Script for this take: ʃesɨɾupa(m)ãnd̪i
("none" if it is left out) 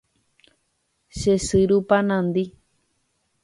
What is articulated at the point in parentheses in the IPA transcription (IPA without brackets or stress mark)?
n